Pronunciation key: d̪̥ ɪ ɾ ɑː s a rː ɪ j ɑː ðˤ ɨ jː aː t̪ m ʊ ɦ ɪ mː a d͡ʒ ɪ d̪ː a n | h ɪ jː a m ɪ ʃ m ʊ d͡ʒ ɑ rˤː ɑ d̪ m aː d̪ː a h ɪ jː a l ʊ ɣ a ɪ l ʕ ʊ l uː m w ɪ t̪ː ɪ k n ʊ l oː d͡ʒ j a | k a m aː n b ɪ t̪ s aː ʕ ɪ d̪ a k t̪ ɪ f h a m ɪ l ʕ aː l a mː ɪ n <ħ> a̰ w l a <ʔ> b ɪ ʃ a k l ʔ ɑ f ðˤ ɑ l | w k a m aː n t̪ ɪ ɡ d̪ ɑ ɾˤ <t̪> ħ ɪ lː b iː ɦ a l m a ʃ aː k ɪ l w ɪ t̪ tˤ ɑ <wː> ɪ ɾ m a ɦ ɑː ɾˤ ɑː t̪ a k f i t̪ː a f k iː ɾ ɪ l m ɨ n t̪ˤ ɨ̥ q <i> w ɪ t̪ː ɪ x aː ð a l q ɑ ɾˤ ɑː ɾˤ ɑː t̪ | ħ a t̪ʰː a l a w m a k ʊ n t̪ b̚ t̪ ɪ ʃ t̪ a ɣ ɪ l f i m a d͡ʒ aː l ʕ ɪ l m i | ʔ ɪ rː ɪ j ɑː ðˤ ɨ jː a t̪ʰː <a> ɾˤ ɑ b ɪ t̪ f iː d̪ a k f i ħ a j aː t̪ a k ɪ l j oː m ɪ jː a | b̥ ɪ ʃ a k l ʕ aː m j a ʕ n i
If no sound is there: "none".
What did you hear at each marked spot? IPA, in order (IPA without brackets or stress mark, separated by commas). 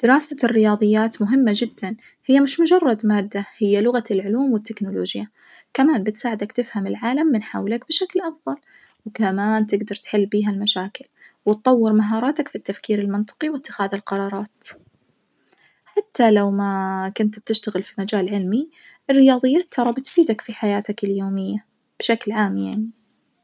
ħ, k, t̪, wː, i, ɑ